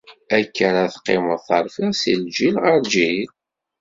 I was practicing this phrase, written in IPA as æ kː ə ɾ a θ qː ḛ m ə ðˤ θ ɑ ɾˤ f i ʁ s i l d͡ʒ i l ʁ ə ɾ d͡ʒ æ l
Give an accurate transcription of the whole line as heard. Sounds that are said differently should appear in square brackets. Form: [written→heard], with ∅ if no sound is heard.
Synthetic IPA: æ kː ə ɾ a θ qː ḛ m ə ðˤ θ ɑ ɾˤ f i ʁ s i l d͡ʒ i l ʁ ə ɾ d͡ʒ [æ→i] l